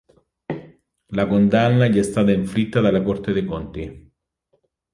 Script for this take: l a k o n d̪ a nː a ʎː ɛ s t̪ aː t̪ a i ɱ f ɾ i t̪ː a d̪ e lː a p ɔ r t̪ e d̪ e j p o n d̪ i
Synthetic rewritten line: l a k o n d̪ a nː a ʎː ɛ s t̪ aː t̪ a i ɱ f ɾ i t̪ː a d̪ a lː a k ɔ r t̪ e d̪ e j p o n t̪ i